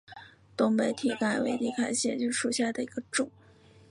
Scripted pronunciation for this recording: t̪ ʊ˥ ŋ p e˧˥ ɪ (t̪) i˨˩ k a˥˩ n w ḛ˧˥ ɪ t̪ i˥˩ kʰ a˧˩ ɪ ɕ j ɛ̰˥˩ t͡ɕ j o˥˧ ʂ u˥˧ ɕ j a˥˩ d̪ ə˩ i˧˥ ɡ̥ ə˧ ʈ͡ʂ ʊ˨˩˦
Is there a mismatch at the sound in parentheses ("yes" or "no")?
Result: yes